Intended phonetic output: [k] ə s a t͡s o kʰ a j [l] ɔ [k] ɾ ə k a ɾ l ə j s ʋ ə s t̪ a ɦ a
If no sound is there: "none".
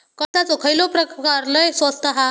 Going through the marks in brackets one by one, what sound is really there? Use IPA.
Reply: k, l, p

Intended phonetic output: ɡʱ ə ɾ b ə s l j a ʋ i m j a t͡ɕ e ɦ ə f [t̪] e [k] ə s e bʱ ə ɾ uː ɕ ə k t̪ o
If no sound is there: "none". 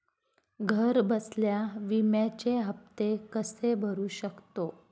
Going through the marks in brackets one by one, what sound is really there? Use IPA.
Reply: t̪, k

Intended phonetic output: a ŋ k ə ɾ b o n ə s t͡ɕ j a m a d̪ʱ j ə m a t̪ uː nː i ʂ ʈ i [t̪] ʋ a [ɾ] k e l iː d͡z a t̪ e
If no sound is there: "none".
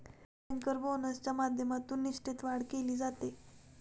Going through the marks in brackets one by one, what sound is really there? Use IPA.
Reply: t̪, ɽ

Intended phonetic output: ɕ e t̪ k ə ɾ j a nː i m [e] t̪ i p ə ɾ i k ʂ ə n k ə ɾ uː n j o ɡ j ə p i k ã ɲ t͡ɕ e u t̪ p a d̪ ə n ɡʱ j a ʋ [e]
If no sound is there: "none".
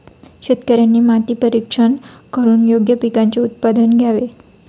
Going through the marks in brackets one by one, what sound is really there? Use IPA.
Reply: a, e

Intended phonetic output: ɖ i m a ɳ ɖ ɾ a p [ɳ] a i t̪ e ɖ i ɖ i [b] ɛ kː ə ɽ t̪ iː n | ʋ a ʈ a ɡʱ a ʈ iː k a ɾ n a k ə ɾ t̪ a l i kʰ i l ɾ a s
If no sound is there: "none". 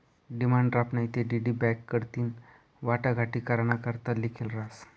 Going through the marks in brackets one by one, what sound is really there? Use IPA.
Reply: n, b

